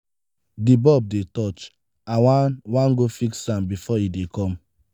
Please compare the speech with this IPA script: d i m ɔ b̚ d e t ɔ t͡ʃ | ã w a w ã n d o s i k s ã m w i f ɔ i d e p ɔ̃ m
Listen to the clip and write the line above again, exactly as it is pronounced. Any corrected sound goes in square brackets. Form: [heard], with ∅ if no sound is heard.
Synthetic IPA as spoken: d i [b] ɔ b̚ d e t ɔ t͡ʃ | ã w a w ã n [ɡ] o [f] i k s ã m [b] i f ɔ i d e [k] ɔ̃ m